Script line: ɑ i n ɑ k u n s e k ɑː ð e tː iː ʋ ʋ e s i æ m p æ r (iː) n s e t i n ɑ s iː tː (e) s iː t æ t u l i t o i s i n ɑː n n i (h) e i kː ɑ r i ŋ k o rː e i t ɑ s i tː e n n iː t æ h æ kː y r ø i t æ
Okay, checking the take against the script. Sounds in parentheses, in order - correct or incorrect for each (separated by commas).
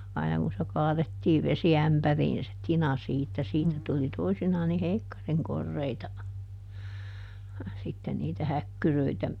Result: correct, incorrect, correct